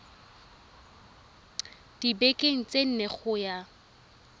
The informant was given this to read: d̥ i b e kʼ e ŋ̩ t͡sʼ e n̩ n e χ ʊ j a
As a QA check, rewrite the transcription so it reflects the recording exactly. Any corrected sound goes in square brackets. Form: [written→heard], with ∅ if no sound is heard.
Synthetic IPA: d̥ i b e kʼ e ŋ̩ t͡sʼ e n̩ n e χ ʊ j a